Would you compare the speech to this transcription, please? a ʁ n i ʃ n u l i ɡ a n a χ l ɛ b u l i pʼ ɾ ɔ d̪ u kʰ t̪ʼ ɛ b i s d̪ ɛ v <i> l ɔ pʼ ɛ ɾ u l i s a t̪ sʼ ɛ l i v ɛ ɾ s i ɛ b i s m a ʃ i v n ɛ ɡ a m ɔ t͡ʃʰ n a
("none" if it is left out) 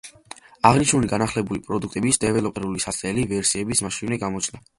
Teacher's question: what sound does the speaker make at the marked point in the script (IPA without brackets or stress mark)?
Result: ɛ